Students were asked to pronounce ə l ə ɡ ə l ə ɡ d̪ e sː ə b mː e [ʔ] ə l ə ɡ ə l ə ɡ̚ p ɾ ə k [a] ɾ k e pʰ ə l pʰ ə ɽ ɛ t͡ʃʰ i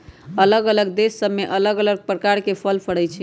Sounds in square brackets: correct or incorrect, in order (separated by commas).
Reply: correct, correct